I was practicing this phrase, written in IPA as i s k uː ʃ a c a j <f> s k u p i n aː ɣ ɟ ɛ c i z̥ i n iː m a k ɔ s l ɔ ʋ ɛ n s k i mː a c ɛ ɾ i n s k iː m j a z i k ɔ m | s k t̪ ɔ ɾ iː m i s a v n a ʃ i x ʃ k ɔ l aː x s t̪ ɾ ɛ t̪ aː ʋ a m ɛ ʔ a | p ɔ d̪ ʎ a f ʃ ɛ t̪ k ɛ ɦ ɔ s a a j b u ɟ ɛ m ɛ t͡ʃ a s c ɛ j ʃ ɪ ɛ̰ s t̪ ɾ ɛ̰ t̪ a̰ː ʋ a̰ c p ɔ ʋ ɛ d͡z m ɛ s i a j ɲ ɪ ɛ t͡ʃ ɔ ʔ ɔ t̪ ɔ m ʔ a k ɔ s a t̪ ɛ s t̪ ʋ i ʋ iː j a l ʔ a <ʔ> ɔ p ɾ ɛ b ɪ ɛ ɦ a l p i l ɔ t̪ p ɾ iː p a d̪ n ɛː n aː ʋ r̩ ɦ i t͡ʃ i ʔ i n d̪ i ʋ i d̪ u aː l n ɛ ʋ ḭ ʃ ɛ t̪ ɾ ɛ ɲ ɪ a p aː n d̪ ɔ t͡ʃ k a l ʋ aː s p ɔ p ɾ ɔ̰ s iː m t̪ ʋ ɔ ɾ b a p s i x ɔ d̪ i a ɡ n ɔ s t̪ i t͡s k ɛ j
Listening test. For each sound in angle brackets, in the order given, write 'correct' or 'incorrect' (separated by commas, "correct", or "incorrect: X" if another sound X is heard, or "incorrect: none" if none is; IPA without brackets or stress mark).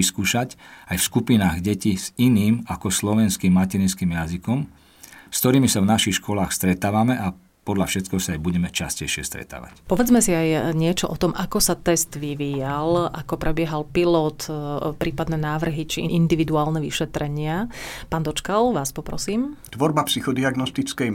correct, incorrect: k